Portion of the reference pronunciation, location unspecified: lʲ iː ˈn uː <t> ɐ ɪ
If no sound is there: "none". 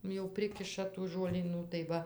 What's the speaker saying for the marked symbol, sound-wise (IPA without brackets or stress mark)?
t